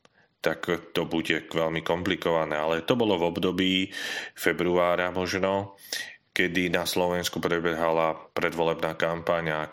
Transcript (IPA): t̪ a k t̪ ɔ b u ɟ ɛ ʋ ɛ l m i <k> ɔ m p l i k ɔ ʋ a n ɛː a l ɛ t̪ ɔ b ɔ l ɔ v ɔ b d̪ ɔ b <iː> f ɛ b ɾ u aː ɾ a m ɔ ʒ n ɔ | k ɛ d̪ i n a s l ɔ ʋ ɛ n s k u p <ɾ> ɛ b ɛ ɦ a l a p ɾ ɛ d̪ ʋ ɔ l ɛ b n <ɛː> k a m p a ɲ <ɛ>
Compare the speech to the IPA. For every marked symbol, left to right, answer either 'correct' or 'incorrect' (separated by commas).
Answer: correct, correct, correct, incorrect, incorrect